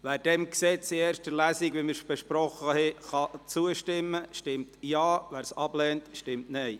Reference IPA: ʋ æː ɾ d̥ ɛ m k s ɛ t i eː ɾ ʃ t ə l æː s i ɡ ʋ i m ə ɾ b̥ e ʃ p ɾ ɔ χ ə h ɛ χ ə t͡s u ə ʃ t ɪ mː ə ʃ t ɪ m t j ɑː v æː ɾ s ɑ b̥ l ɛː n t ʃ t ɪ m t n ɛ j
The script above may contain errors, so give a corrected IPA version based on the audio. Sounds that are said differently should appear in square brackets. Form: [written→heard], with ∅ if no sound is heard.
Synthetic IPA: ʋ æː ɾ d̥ ɛ m k s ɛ [t→t͡s] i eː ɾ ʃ t ə l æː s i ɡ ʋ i m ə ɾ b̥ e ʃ p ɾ ɔ χ ə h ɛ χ [ə→ɑ] t͡s u ə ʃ t ɪ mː ə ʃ t ɪ m t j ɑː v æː ɾ s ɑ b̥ l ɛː n t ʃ t ɪ m t n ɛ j